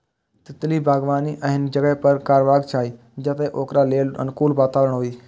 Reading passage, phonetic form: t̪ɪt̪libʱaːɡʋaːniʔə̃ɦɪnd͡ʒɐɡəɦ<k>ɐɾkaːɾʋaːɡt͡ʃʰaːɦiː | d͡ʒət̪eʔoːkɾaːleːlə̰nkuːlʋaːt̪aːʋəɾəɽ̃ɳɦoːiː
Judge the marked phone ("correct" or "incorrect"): incorrect